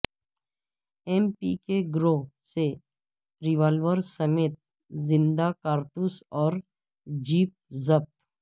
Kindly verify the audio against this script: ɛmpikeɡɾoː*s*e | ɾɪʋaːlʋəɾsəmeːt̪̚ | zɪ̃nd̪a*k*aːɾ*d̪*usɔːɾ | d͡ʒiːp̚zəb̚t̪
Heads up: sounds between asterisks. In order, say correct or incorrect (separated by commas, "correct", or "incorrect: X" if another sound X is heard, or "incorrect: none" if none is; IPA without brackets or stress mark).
correct, correct, incorrect: t̪